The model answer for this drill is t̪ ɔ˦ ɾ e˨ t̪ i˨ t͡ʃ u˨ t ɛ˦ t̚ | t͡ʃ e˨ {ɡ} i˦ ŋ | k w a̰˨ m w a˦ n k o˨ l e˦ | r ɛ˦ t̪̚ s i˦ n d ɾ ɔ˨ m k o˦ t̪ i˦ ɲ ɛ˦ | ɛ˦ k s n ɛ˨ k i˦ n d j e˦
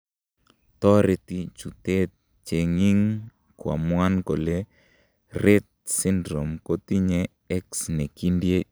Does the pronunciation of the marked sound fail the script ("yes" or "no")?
yes